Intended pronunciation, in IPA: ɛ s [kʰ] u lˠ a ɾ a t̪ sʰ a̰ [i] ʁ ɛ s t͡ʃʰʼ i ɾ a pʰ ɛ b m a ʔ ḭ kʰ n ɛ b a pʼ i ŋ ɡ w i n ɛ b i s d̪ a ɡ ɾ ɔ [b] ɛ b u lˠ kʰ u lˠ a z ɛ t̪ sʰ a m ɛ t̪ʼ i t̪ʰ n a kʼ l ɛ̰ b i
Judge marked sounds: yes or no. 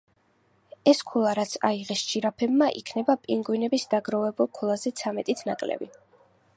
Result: yes, yes, no

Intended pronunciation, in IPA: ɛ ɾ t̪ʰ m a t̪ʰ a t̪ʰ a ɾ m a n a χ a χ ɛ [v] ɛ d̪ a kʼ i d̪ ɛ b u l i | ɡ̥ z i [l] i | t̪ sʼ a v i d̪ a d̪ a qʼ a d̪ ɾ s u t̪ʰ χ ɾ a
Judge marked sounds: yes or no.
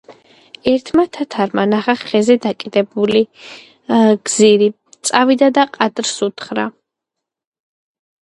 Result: no, no

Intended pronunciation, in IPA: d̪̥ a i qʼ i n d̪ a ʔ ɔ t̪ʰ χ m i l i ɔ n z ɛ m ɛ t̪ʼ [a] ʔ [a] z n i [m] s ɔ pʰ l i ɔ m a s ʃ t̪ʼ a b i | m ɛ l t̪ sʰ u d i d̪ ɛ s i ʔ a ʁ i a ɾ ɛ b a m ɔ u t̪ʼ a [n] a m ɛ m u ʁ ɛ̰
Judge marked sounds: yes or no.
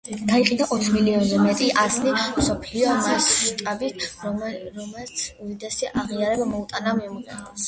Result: no, yes, yes, yes

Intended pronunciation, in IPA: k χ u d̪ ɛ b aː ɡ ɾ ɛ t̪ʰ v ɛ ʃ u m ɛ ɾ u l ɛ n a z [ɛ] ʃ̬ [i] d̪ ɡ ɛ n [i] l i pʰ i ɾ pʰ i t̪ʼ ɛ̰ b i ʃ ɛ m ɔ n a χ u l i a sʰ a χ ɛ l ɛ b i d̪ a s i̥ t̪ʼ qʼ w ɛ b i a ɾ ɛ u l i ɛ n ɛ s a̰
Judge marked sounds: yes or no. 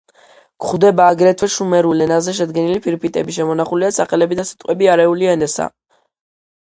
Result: yes, no, yes

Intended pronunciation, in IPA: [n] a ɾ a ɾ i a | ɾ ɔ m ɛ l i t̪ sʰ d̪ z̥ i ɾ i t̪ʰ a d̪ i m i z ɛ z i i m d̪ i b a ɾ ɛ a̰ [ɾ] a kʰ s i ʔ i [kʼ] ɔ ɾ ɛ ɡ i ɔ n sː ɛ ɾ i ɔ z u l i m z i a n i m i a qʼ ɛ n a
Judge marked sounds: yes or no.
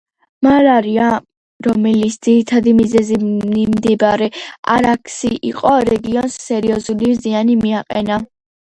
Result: no, yes, no

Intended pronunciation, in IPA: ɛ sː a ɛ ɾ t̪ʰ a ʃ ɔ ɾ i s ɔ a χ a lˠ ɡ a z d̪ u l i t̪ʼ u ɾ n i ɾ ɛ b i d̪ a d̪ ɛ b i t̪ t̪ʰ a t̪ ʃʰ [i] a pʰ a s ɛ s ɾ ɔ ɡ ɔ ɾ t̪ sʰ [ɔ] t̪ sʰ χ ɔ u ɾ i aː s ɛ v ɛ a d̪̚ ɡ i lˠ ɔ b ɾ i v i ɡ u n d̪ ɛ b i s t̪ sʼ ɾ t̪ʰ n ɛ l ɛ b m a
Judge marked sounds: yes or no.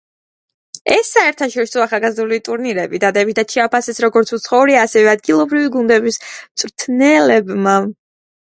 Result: no, no

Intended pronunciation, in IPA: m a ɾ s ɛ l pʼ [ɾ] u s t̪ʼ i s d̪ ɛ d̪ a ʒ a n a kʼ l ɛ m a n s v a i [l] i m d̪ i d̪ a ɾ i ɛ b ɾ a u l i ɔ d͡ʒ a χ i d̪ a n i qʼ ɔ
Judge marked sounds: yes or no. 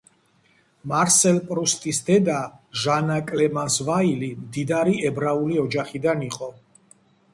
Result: yes, yes

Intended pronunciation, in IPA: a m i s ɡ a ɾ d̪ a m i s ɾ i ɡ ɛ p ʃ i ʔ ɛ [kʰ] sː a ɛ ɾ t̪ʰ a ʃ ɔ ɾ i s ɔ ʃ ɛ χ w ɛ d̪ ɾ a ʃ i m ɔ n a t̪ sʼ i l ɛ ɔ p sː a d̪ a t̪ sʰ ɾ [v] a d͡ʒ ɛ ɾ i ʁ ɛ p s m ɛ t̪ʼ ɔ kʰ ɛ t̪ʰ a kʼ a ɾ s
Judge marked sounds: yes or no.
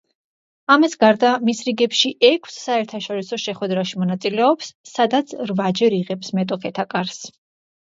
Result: yes, yes

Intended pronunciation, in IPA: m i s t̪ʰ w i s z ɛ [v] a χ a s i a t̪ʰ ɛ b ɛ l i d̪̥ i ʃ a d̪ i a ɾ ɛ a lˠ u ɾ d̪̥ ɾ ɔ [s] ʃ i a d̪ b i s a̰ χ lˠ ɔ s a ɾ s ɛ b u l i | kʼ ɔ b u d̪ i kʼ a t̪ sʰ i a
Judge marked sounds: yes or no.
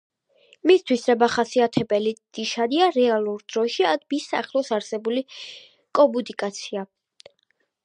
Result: no, no

